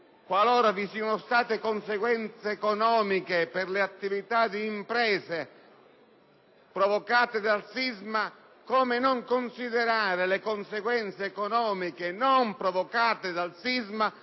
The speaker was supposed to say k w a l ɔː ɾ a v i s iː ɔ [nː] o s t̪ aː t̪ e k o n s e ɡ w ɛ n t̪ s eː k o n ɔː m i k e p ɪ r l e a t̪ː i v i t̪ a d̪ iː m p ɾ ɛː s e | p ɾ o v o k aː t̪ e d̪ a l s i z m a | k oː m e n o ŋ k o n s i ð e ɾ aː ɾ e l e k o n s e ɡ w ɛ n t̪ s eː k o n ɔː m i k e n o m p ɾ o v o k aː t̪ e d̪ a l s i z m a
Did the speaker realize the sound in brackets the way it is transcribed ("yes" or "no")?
no